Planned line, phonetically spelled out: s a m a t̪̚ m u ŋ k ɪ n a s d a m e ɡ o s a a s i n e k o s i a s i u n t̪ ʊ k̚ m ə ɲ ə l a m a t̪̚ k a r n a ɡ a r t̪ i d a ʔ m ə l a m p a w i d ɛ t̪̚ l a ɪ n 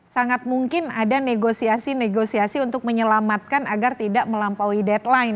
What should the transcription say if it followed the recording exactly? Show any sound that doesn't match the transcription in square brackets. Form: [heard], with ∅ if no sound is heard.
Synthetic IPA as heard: s a [ŋ] a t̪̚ m u ŋ k ɪ n a [∅] d a [n] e ɡ o s [i] a s i n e [ɡ] o s i a s i u n t̪ ʊ k̚ m ə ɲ ə l a m a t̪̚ k a [∅] n a ɡ a r t̪ i d a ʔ m ə l a m p a w i d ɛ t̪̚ l a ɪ n